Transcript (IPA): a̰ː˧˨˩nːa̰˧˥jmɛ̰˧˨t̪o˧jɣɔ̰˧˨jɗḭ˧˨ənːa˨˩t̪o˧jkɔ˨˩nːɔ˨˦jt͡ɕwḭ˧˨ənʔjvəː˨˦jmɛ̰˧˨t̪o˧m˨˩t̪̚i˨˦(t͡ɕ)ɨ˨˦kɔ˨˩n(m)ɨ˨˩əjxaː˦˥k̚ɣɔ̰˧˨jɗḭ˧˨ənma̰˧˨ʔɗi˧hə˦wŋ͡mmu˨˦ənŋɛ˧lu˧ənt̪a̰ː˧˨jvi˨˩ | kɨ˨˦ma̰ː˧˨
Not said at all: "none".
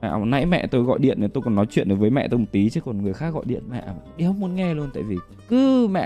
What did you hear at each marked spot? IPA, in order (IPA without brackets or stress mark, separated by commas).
t͡ɕ, ŋ